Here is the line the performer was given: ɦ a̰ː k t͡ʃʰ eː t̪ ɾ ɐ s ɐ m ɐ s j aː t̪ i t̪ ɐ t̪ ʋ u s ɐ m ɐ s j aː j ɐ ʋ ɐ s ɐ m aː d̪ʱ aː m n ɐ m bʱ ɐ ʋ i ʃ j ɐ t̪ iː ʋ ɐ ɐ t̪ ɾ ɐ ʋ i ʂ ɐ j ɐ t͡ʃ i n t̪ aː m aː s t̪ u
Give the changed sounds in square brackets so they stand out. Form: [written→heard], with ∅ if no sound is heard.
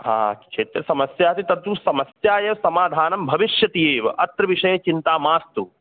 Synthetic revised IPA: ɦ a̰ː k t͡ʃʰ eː t̪ ɾ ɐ s ɐ m ɐ s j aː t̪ i t̪ ɐ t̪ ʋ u s ɐ m ɐ s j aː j ɐ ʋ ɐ s ɐ m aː d̪ʱ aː [m→∅] n ɐ m bʱ ɐ ʋ i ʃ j ɐ t̪ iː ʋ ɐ ɐ t̪ ɾ ɐ ʋ i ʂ ɐ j ɐ t͡ʃ i n t̪ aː m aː s t̪ u